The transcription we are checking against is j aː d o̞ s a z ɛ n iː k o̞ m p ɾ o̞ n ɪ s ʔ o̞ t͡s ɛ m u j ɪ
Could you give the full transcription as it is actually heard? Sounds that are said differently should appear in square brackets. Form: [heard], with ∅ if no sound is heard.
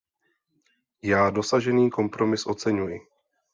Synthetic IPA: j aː d o̞ s a [ʒ] ɛ n iː k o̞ m p ɾ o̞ [m] ɪ s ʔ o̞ t͡s ɛ [ɲ] u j ɪ